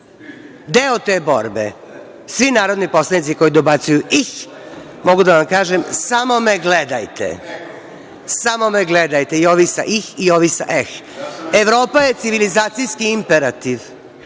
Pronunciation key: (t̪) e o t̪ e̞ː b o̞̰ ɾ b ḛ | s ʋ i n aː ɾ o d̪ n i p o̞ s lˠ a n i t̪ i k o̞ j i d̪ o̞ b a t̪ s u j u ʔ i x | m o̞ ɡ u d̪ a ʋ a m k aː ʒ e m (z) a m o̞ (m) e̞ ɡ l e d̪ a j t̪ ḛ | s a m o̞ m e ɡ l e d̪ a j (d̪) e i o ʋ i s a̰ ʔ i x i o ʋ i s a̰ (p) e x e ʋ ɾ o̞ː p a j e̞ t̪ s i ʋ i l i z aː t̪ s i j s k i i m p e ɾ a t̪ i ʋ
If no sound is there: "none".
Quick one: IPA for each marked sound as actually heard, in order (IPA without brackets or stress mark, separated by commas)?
d̪, s, m, t̪, ʔ